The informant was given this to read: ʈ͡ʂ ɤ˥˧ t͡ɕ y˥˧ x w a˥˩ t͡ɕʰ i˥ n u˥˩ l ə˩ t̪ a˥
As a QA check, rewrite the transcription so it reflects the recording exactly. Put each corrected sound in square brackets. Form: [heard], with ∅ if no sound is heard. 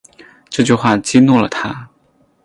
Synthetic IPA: ʈ͡ʂ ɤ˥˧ t͡ɕ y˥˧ x w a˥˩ [t͡ɕ] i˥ n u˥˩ l ə˩ [t̪ʰ] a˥